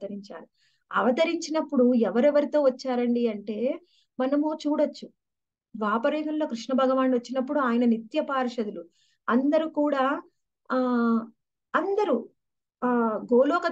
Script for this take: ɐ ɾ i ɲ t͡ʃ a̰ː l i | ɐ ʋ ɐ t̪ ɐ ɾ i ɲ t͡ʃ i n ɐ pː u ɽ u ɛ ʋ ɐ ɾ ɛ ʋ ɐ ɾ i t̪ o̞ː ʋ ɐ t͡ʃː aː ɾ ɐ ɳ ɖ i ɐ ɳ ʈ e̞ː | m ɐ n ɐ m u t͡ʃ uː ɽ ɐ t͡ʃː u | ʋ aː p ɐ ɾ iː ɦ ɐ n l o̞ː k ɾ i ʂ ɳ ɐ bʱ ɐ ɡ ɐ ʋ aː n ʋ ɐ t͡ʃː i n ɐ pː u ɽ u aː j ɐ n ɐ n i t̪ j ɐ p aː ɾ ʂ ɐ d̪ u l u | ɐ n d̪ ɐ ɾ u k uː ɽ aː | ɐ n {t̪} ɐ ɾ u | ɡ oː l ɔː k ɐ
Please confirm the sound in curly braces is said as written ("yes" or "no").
no